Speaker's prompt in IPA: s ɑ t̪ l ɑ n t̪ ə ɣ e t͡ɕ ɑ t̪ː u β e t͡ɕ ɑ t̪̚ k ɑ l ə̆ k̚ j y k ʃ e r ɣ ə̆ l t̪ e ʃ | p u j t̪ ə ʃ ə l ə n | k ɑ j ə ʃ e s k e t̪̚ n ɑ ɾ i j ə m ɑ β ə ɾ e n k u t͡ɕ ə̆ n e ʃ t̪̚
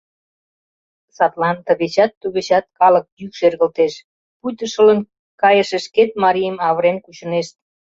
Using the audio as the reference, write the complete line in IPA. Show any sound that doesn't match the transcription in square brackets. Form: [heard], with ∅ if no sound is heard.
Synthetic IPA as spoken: s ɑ t̪ l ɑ n t̪ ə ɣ e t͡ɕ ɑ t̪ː u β e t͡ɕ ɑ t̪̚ k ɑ l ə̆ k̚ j y k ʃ e r ɣ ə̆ l t̪ e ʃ | p u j t̪ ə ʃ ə l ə n | k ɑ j ə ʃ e [ʃ] k e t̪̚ [m] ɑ ɾ i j ə m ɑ β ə ɾ e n k u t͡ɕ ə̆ n e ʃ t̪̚